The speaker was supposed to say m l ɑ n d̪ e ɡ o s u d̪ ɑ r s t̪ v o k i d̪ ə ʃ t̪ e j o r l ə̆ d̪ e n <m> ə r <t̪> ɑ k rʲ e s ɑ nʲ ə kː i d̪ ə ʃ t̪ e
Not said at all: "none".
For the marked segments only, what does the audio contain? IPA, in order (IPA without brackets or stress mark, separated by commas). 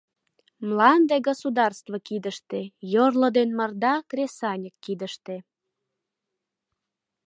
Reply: m, d̪